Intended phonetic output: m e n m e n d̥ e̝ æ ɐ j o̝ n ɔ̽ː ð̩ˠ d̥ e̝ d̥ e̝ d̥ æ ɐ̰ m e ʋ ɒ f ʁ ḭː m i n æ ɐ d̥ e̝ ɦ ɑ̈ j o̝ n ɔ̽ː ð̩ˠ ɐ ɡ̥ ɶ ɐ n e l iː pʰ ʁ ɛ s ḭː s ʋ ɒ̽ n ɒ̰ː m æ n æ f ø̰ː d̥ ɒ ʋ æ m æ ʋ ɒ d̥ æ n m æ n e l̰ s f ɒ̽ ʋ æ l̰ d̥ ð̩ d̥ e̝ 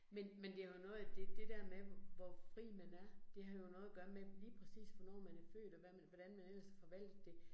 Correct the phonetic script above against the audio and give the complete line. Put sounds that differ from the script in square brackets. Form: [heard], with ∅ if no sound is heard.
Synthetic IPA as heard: m e n m e n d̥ e̝ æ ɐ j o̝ n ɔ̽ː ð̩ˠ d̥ e̝ d̥ e̝ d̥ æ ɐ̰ m e ʋ ɒ f ʁ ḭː m [æ] n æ ɐ d̥ e̝ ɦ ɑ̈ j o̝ n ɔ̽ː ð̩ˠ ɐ ɡ̥ ɶ ɐ [m] e l iː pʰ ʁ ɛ s ḭː s ʋ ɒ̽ n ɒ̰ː m æ n æ f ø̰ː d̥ ɒ ʋ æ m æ ʋ ɒ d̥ æ n m æ n e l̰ s f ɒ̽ ʋ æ l̰ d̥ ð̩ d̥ e̝